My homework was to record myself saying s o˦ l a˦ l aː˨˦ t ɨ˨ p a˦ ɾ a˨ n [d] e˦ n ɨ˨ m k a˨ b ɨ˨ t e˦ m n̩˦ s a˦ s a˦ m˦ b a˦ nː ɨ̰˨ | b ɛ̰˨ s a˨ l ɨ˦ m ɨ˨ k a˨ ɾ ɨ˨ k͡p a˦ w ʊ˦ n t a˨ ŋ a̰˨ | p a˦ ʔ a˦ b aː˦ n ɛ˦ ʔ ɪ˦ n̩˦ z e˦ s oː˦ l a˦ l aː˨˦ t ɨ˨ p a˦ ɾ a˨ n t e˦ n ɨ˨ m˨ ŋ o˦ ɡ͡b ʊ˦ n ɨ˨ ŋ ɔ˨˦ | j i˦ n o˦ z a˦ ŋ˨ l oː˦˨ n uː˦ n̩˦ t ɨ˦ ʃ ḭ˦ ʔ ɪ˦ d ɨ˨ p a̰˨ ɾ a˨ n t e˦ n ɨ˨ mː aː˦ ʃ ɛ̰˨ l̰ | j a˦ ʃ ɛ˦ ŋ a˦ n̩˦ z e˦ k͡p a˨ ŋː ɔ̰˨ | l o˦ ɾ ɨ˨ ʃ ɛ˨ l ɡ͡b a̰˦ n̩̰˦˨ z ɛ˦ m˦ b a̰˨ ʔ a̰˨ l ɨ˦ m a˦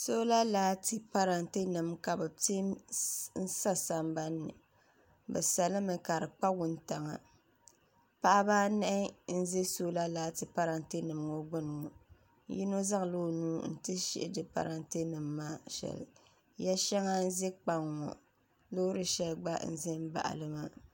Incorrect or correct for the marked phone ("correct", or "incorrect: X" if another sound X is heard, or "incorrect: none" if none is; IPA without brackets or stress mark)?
incorrect: t